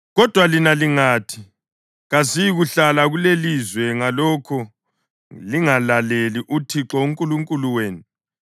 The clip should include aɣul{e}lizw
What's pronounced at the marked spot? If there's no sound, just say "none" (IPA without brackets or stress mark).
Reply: e